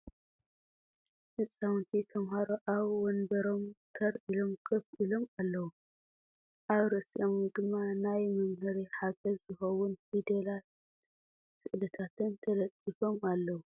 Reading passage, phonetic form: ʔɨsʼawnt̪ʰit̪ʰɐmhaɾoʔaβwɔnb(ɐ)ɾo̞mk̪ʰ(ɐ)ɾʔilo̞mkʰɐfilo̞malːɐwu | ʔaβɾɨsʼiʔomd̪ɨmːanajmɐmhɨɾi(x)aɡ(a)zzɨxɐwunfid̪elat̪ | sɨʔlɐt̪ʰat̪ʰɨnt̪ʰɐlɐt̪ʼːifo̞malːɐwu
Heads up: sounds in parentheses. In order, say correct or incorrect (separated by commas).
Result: correct, correct, incorrect, incorrect